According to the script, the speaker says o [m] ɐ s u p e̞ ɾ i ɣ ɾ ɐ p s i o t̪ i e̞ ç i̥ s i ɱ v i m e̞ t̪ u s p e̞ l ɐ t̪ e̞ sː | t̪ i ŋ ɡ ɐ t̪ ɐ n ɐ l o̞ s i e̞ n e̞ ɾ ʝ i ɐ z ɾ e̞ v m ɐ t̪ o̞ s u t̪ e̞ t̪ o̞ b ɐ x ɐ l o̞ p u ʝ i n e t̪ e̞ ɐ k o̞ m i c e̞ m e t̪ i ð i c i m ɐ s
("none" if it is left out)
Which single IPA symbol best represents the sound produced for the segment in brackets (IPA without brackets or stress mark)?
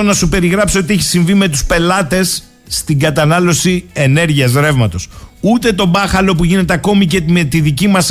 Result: n